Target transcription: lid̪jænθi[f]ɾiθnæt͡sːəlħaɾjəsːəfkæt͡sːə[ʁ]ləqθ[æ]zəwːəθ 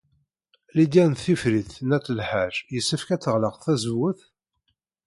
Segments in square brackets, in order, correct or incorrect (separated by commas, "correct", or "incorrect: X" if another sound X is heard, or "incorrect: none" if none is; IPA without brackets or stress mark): correct, correct, correct